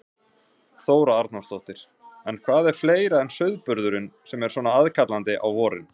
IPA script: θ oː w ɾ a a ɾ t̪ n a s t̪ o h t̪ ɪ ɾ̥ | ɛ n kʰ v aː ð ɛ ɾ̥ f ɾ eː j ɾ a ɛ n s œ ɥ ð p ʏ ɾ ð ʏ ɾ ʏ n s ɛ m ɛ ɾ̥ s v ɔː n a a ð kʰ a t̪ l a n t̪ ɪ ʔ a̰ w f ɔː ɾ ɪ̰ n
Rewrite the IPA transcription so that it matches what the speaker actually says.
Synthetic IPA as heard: θ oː w ɾ a a ɾ t̪ n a s t̪ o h t̪ ɪ ɾ̥ | ɛ n kʰ v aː ð ɛ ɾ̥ f l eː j ɾ a ɛ n s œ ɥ ð p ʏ ɾ ð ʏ ɾ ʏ n s ɛ m ɛ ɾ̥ s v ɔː n a a ð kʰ a t̪ l a n t̪ ɪ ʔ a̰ w v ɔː ɾ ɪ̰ n